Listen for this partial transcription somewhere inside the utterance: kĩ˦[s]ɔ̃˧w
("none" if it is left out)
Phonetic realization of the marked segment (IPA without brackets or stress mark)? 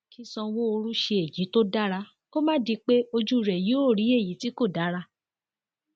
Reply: s